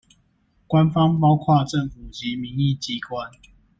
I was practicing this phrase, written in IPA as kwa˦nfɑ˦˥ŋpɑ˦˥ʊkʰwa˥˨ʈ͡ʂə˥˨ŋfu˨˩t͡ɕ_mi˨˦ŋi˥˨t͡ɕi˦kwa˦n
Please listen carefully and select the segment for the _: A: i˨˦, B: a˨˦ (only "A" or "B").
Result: A